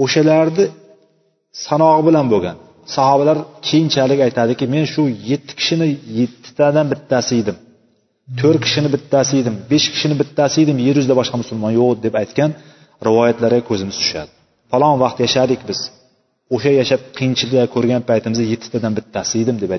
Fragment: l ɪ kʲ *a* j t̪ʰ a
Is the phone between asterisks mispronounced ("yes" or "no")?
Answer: no